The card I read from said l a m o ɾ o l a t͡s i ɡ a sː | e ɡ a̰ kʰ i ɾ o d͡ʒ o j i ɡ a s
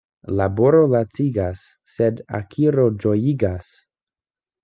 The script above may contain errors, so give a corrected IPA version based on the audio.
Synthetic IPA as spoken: l a b o ɾ o l a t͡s i ɡ a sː | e d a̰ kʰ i ɾ o d͡ʒ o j i ɡ a s